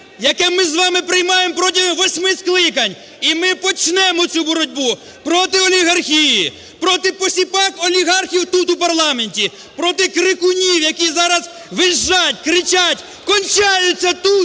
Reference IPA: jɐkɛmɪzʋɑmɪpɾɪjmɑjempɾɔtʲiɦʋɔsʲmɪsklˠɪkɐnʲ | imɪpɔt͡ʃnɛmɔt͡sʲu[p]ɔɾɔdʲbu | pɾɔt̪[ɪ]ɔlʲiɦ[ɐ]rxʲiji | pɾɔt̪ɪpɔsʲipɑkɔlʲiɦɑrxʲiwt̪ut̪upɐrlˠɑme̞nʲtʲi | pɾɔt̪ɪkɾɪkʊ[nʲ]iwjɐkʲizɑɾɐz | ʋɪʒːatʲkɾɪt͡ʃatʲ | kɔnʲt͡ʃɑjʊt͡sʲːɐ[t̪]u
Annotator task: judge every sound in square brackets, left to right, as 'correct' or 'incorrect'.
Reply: incorrect: b, correct, correct, correct, correct

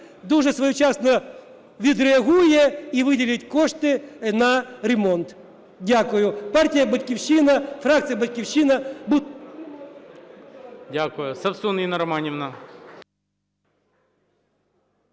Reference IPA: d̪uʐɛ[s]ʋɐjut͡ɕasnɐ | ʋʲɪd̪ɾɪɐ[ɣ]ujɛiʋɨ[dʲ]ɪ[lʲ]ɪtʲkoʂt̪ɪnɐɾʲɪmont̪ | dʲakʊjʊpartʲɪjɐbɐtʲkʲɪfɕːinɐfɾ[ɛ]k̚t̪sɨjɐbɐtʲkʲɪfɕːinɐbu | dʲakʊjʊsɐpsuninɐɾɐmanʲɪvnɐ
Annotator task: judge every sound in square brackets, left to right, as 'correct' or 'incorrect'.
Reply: correct, correct, correct, correct, incorrect: a

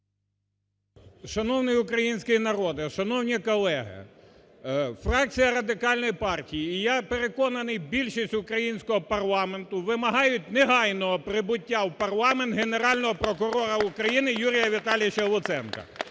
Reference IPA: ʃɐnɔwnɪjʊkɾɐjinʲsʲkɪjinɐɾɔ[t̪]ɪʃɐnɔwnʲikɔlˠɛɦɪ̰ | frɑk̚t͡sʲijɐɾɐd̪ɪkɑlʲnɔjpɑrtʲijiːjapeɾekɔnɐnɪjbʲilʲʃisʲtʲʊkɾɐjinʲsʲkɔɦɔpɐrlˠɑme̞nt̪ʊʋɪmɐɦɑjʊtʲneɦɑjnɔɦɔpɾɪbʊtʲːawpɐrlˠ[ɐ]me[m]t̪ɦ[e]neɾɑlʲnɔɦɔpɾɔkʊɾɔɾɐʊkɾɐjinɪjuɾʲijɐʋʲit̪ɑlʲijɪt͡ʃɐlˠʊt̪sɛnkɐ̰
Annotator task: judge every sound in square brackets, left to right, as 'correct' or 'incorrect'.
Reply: incorrect: d̪, incorrect: ɑ, incorrect: n, correct

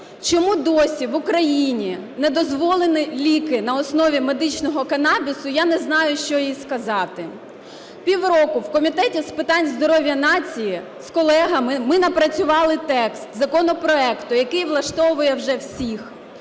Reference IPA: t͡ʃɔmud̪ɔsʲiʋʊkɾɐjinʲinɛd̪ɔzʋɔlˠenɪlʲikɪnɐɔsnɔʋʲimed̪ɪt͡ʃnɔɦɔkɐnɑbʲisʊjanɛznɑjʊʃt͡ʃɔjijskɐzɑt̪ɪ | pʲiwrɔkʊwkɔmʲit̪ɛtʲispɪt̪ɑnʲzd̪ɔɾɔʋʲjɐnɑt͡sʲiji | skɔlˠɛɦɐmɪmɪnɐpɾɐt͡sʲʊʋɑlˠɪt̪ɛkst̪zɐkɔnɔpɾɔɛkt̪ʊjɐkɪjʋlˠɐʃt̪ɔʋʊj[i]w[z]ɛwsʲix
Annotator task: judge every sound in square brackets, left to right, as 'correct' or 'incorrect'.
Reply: incorrect: ɛ, incorrect: ʒ

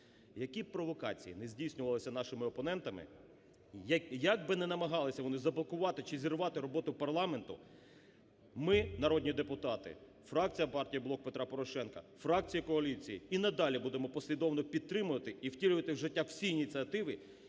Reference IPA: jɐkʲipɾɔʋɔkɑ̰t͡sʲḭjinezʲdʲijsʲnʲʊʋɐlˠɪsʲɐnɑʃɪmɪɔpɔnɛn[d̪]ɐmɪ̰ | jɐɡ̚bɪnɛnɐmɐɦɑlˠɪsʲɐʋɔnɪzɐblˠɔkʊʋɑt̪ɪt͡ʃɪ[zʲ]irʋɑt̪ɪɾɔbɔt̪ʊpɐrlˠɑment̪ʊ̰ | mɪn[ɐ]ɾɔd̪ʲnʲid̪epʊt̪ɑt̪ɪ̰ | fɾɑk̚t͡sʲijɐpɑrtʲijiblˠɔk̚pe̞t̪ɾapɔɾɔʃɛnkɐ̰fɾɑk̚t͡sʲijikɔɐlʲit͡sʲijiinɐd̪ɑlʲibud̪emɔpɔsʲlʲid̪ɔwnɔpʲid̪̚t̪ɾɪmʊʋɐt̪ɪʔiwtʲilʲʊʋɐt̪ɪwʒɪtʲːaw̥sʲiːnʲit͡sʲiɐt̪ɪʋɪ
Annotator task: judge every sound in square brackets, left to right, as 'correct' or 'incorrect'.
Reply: incorrect: t̪, correct, correct

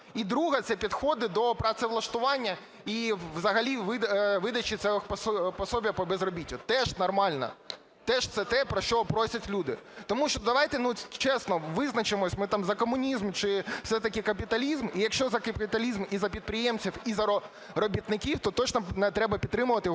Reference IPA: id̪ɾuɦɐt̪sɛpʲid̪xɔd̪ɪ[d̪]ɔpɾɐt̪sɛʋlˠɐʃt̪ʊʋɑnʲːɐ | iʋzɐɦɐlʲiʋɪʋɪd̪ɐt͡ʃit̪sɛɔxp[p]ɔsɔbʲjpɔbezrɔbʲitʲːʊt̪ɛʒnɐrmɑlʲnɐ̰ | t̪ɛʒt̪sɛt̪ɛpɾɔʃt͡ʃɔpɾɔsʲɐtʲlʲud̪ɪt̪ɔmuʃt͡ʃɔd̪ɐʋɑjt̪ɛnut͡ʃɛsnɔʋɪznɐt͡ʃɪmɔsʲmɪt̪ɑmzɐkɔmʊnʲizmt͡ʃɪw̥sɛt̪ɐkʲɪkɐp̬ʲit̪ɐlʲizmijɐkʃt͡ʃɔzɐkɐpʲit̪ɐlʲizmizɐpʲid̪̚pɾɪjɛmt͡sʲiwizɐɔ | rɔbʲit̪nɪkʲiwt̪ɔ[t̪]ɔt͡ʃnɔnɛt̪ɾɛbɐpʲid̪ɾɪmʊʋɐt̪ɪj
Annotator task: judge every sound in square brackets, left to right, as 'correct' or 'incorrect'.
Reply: correct, correct, correct

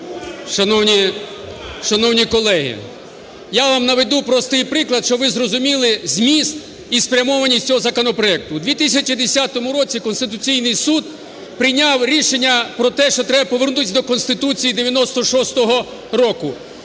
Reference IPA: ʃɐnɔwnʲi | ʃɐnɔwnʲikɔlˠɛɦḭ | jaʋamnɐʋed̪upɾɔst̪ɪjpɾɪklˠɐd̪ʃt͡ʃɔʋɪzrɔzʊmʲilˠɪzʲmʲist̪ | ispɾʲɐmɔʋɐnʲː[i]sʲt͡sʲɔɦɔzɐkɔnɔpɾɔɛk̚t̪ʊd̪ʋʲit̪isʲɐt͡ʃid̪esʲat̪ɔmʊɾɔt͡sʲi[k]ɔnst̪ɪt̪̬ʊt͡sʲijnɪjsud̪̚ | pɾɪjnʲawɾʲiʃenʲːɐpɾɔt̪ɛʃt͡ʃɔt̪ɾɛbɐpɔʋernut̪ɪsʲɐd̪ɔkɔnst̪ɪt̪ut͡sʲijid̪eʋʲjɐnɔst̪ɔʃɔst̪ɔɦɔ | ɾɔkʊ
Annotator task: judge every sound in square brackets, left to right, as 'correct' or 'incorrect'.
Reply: correct, correct

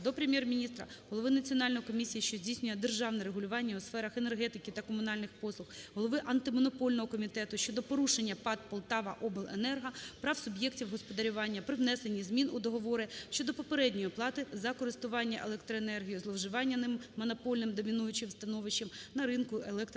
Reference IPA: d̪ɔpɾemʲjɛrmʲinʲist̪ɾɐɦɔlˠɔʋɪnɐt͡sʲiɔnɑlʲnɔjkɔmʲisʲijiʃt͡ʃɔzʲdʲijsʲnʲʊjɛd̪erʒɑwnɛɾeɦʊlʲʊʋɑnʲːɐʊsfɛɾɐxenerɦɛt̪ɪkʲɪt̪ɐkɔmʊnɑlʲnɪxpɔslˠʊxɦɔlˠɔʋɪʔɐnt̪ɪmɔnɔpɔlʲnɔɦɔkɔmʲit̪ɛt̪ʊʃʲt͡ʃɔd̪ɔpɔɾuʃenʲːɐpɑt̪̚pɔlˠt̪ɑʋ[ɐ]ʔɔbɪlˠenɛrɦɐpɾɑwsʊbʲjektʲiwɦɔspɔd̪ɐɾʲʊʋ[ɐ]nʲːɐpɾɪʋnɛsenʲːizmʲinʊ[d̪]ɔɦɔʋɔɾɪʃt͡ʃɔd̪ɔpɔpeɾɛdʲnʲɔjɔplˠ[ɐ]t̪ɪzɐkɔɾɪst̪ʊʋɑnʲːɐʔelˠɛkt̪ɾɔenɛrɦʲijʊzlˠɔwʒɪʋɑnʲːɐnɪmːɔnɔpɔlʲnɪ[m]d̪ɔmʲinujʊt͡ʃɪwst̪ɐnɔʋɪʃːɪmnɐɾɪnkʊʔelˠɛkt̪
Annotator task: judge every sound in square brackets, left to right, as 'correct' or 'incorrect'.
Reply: correct, incorrect: ɑ, correct, incorrect: ɑ, correct

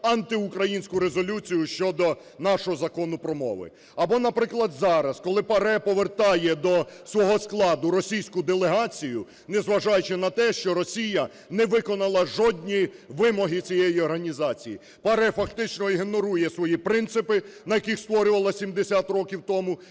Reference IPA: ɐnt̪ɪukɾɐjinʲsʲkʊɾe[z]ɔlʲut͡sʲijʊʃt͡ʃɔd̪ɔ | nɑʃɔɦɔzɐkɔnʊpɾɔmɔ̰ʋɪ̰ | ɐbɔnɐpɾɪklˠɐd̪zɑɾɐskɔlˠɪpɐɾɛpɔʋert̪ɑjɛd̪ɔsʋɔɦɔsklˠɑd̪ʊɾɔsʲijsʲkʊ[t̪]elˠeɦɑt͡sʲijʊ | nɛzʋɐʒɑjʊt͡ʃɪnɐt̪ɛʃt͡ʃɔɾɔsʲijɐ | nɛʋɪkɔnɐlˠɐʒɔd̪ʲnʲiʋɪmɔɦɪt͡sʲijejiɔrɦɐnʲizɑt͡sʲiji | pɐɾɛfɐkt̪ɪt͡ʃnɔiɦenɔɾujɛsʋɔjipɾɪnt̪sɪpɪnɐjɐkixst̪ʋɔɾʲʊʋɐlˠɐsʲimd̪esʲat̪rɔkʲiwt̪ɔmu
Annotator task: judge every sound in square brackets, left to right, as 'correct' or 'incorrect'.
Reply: correct, incorrect: d̪

